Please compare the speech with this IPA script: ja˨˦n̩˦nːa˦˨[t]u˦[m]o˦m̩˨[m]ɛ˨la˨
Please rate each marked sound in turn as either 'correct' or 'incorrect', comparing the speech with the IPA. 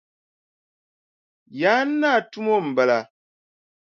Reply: correct, correct, incorrect

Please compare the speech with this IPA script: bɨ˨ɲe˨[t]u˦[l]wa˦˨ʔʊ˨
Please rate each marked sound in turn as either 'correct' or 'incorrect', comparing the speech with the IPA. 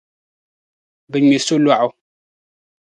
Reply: incorrect, correct

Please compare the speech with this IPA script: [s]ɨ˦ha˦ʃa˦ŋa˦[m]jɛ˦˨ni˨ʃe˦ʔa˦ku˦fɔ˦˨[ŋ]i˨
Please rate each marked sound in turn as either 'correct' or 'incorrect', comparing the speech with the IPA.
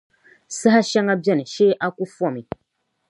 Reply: correct, incorrect, incorrect

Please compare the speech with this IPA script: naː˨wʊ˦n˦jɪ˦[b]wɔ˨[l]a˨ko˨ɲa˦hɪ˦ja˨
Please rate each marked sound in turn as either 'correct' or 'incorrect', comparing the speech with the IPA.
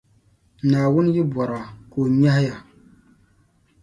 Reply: correct, incorrect

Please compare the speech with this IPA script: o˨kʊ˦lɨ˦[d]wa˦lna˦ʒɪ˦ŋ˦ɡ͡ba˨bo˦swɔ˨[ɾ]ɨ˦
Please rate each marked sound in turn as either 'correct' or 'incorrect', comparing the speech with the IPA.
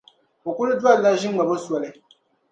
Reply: correct, incorrect

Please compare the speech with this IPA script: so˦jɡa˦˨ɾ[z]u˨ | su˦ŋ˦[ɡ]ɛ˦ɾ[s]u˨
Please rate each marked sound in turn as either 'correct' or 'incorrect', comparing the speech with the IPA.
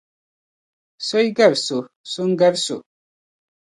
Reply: incorrect, correct, correct

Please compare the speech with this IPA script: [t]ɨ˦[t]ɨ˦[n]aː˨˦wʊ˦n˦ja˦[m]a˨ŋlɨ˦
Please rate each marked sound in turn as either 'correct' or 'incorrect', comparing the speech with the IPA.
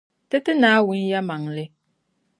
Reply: correct, correct, correct, correct

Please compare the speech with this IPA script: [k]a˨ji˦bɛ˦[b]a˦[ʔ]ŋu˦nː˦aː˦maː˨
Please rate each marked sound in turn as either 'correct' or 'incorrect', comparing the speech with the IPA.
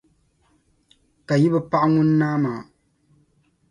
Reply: correct, incorrect, correct

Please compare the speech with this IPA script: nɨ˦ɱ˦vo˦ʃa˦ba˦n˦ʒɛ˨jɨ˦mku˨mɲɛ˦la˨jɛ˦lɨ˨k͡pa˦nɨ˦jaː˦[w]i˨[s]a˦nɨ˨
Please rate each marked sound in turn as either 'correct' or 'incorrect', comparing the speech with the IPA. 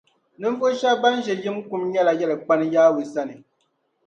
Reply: correct, correct

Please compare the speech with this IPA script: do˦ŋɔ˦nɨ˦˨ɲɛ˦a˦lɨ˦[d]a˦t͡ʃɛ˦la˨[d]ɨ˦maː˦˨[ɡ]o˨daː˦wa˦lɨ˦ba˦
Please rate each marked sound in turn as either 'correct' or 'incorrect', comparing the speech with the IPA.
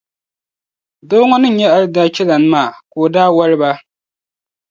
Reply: correct, incorrect, incorrect

